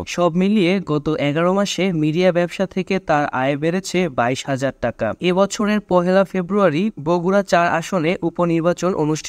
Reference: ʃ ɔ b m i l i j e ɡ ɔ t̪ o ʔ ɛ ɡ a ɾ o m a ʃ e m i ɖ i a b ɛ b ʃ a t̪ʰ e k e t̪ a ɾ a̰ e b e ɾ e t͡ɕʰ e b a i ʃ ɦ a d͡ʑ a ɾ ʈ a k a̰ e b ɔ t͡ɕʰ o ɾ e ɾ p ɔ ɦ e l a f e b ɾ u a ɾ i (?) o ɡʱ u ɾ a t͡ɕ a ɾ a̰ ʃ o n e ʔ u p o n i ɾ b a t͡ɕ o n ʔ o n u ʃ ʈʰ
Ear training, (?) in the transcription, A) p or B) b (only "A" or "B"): B